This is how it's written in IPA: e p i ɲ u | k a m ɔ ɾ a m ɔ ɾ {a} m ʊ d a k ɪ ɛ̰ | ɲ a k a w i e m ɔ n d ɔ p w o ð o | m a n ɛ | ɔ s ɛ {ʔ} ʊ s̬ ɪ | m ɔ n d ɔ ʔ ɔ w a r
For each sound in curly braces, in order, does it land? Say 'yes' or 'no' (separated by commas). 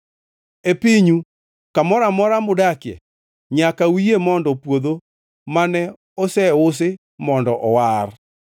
yes, no